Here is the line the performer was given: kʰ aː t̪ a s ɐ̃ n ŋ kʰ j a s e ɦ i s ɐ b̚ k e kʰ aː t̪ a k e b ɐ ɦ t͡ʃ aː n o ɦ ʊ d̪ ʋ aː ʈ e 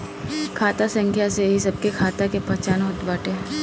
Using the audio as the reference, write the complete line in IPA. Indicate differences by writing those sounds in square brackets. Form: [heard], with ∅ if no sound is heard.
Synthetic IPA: kʰ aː t̪ a s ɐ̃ [∅] ŋ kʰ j a s e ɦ i s ɐ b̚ k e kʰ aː t̪ a k e [p] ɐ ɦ t͡ʃ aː n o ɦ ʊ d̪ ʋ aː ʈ e